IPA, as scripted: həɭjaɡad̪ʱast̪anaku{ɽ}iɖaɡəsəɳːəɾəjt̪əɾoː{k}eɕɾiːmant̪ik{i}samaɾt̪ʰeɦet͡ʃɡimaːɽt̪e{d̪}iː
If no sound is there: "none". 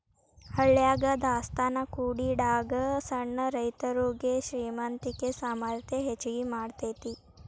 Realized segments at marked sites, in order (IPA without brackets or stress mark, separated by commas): ɽ, ɡ, e, t̪